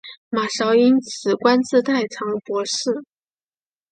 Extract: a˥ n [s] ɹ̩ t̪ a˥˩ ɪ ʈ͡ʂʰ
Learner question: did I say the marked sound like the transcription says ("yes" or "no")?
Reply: no